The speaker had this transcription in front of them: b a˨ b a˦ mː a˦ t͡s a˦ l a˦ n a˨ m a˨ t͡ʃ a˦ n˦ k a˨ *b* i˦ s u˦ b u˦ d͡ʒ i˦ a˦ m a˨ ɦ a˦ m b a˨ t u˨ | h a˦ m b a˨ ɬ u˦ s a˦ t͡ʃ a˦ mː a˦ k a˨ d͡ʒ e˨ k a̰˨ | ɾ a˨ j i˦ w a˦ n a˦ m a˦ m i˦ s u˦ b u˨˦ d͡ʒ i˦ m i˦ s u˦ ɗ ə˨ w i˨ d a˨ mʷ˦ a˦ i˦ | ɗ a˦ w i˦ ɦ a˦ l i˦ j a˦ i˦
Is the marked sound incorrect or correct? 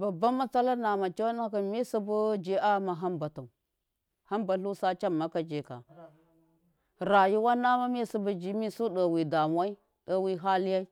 incorrect